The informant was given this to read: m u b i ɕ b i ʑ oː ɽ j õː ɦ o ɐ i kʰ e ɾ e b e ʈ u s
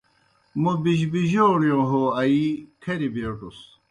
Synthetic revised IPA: m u b i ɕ b i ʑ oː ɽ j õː ɦ o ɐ i kʰ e ɾ i b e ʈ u s